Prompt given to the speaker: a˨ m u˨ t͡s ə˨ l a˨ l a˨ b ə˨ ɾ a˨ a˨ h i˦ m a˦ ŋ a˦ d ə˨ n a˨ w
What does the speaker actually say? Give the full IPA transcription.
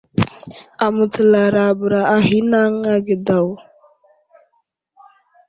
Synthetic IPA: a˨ m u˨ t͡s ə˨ l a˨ ɾ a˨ b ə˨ ɾ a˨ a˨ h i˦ n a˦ ŋ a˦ ɡ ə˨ d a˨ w